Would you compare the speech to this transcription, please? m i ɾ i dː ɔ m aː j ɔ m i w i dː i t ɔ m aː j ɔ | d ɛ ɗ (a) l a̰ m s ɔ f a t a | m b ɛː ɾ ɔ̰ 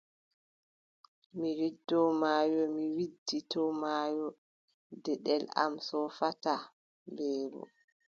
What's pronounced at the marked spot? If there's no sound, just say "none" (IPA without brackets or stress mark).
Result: ɛ